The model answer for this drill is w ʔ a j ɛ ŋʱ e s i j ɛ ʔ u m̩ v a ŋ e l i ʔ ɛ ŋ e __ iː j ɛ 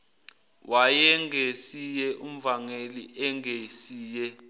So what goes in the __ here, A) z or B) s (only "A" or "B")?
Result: B